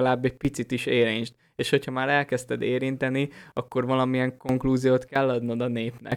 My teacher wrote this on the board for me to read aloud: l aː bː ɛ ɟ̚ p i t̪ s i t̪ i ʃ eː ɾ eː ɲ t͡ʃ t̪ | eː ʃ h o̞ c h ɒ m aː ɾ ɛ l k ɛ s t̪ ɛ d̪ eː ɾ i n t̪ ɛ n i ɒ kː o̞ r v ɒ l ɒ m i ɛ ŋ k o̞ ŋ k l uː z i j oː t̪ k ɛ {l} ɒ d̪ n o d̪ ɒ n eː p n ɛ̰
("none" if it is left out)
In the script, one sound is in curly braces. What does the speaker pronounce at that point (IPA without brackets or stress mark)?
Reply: lː